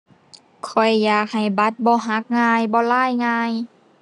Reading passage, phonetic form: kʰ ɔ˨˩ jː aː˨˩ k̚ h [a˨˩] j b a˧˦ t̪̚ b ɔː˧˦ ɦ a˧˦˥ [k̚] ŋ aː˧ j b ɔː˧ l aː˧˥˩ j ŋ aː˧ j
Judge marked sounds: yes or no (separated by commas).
yes, yes